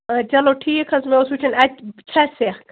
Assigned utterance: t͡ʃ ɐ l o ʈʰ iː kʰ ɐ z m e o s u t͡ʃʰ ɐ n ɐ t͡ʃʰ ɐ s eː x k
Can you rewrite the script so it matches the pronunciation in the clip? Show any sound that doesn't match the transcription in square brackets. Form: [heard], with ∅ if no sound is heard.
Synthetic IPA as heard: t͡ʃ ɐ l o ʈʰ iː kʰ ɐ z m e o s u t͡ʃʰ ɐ n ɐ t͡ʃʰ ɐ s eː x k